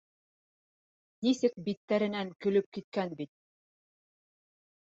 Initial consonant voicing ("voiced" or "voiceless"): voiced